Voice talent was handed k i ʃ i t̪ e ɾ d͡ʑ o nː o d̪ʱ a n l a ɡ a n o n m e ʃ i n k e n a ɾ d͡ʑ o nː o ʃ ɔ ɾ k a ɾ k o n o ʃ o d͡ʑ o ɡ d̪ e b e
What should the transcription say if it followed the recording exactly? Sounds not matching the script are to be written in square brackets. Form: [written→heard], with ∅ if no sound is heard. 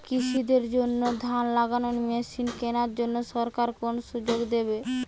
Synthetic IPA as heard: k i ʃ i [t̪→d̪] e ɾ d͡ʑ o nː o d̪ʱ a n l a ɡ a n o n m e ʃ i n k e n a ɾ d͡ʑ o nː o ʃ ɔ ɾ k a ɾ k o n o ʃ [o→u] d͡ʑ o ɡ d̪ e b e